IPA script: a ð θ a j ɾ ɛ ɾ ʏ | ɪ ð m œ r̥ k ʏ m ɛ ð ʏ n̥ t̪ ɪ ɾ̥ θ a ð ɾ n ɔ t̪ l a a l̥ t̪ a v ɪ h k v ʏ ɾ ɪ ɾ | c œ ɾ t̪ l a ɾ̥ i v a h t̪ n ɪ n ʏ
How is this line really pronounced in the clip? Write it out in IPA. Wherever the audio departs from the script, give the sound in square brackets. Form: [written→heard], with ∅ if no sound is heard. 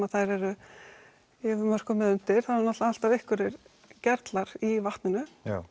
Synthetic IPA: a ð θ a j ɾ ɛ ɾ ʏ | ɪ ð m œ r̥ k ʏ m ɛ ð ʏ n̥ t̪ ɪ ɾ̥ θ a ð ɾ n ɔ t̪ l a a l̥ t̪ a v ɪ h k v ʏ ɾ ɪ ɾ | c [œ→ɛ] ɾ t̪ l a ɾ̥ i v a h t̪ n ɪ n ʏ